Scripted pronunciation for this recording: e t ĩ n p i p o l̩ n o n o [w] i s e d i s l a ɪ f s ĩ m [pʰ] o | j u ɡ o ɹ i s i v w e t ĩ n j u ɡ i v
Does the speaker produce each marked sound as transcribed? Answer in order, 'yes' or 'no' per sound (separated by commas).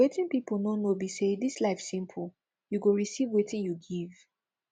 no, yes